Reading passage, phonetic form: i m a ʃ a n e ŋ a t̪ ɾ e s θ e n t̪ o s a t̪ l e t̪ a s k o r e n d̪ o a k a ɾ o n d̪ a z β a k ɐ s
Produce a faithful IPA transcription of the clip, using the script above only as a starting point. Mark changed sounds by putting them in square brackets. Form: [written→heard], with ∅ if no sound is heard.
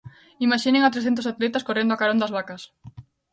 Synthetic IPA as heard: i m a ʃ [a→i] n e ŋ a t̪ ɾ e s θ e n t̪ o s a t̪ l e t̪ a s k o r e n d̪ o a k a ɾ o n d̪ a z β a k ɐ s